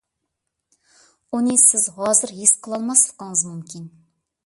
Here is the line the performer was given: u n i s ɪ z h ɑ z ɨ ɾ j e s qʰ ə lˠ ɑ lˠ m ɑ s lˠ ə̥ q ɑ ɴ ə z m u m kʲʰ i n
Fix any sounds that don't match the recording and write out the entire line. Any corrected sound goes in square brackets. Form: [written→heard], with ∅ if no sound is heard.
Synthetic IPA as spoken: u n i s ɪ z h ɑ z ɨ ɾ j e s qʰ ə lˠ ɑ lˠ m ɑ s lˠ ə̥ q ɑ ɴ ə z m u m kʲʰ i n

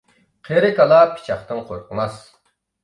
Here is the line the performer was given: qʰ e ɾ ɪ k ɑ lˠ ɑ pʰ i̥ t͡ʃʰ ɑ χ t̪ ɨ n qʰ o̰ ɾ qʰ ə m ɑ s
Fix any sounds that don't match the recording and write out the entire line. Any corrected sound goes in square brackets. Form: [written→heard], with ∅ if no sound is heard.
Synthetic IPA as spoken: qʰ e ɾ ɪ k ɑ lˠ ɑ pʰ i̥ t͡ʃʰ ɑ χ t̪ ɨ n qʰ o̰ ɾ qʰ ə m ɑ s

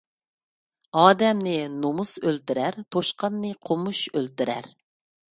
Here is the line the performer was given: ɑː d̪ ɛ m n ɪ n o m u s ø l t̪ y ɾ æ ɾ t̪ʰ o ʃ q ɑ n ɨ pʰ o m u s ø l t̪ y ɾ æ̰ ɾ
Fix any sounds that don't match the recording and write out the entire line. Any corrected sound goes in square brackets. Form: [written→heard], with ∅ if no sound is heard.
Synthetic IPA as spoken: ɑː d̪ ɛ m n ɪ n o m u s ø l t̪ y ɾ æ ɾ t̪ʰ o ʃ q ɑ [n→nː] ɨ [pʰ→qʰ] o m u [s→ʃ] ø l t̪ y ɾ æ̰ ɾ

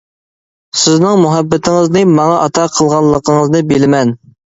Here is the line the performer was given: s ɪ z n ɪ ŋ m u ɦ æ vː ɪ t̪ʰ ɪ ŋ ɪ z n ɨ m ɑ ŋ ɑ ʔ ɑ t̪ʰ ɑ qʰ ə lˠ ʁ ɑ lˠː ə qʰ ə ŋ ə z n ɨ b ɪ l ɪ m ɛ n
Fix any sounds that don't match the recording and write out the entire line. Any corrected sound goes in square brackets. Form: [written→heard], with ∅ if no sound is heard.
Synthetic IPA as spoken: s ɪ z n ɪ ŋ m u ɦ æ [vː→bː] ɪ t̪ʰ ɪ ŋ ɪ z n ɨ m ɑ ŋ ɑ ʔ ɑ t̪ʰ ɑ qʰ ə lˠ ʁ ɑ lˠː ə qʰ ə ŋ ə z n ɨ b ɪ l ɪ m ɛ n

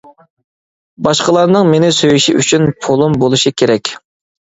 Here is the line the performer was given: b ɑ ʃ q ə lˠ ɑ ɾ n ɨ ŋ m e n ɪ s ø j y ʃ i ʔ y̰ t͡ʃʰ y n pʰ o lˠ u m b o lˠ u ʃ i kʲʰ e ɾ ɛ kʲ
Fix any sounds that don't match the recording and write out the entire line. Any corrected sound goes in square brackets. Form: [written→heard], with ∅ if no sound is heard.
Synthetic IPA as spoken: b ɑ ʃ q ə lˠ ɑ ɾ n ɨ ŋ m e n ɪ s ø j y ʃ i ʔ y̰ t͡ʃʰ y n pʰ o lˠ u m b o lˠ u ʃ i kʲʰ e ɾ ɛ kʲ

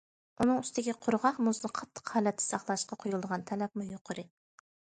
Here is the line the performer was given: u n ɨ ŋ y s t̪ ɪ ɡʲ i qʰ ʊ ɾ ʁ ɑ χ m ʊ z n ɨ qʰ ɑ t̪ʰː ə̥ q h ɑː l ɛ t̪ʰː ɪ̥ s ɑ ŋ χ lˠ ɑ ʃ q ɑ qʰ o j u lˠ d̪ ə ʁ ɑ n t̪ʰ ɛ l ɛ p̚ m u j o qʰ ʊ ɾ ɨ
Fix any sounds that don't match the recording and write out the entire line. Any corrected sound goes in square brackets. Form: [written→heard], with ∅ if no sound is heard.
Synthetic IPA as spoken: u n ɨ ŋ y s t̪ ɪ ɡʲ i qʰ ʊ ɾ ʁ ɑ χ m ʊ z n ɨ qʰ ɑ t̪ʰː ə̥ q h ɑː l ɛ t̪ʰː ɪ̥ s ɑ [ŋ→∅] χ lˠ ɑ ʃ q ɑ qʰ o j u lˠ d̪ ə ʁ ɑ n t̪ʰ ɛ l ɛ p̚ m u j o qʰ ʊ ɾ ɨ

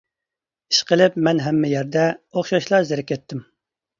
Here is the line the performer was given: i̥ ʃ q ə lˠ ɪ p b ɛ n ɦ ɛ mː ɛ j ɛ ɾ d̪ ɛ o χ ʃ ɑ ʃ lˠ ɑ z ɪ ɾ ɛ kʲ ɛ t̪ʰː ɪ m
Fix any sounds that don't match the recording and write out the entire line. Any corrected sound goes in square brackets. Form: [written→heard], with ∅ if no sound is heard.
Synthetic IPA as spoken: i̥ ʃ q ə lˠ ɪ p [b→m] ɛ n ɦ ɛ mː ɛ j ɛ ɾ d̪ ɛ o χ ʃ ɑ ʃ lˠ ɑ z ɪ ɾ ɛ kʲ ɛ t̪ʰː ɪ m

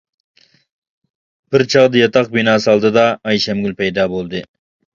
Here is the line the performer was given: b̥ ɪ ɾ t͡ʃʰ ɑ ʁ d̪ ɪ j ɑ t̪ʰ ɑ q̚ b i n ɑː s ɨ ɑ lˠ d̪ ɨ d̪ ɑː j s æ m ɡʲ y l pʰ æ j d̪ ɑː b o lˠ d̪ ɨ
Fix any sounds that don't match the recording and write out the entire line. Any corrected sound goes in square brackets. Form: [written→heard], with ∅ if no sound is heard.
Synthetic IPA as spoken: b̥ ɪ ɾ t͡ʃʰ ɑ ʁ d̪ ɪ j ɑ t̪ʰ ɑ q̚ b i n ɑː s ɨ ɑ lˠ d̪ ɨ d̪ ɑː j [s→ʃ] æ m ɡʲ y l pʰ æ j d̪ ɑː b o lˠ d̪ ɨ

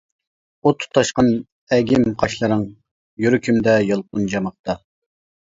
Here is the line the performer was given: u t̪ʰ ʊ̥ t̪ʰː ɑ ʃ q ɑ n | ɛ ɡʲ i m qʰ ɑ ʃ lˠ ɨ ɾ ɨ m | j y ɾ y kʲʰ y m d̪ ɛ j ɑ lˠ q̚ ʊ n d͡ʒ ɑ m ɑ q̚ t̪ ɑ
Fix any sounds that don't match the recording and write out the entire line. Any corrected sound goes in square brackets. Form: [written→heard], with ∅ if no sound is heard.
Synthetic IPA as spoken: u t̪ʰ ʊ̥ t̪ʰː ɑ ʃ q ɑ n | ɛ ɡʲ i m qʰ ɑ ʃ lˠ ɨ ɾ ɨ [m→ŋ] | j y ɾ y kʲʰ y m d̪ ɛ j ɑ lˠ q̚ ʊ n d͡ʒ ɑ m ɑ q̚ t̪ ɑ

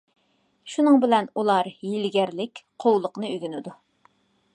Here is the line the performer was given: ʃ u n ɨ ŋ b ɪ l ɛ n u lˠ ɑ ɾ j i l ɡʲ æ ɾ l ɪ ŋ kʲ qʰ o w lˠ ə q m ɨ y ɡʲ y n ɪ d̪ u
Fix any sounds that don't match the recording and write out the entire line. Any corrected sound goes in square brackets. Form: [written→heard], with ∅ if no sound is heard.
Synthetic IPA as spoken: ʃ u n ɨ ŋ b ɪ l ɛ n u lˠ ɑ ɾ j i l ɡʲ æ ɾ l ɪ [ŋ→∅] kʲ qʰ o w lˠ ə q [m→n] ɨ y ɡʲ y n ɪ d̪ u

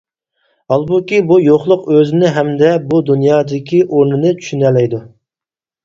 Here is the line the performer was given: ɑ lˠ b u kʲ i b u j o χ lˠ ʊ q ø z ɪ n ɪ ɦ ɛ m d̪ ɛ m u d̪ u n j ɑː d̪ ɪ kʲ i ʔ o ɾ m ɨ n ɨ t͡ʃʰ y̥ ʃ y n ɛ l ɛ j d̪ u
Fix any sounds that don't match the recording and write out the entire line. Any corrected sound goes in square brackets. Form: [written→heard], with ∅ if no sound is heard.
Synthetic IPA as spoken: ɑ lˠ b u kʲ i b u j o χ lˠ ʊ q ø z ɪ n ɪ ɦ ɛ m d̪ ɛ [m→b] u d̪ u n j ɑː d̪ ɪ kʲ i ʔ o ɾ [m→n] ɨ n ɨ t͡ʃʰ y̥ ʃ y n ɛ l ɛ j d̪ u

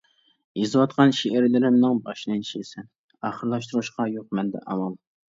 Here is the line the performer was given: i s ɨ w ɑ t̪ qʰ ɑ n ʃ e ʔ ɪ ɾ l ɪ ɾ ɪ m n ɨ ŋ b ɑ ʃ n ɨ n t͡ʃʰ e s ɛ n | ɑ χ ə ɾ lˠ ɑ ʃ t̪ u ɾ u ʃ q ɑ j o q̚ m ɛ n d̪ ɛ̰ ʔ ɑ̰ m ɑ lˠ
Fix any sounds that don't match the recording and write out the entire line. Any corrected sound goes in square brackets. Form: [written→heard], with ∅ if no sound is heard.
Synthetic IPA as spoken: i [s→z] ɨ w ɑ t̪ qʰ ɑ n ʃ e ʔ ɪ ɾ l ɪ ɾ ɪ m n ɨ ŋ b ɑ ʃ n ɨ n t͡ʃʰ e s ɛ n | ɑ χ ə ɾ lˠ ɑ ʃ t̪ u ɾ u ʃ q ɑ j o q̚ m ɛ n d̪ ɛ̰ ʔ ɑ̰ m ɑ lˠ

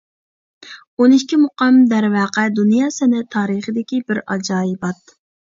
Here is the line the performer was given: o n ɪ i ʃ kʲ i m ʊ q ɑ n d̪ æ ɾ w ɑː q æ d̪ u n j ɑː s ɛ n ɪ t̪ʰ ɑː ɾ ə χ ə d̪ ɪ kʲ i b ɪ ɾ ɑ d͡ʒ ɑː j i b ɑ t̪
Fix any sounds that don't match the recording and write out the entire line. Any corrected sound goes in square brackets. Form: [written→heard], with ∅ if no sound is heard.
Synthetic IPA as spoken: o n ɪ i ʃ kʲ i m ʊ q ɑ [n→m] d̪ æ ɾ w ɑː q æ d̪ u n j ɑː s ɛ n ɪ t̪ʰ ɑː ɾ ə χ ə d̪ ɪ kʲ i b ɪ ɾ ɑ d͡ʒ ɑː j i b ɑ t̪

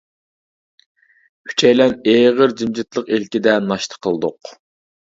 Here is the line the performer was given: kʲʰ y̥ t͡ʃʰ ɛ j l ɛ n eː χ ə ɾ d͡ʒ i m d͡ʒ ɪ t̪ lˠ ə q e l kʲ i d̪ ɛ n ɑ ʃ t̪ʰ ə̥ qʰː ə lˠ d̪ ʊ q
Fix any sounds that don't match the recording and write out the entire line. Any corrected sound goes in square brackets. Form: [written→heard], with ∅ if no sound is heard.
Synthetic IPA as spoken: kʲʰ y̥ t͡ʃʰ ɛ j l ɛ n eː [χ→ʁ] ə ɾ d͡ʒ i m d͡ʒ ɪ t̪ lˠ ə q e l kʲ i d̪ ɛ n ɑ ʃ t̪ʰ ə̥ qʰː ə lˠ d̪ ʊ q

